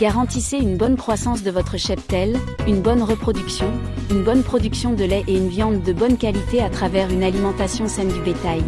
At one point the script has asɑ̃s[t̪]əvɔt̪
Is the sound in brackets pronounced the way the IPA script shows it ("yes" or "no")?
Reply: no